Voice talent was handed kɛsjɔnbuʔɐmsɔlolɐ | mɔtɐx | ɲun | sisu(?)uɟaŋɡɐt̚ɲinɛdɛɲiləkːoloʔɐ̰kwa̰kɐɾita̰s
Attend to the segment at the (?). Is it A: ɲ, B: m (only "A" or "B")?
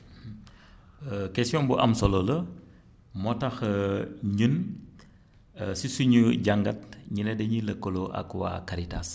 A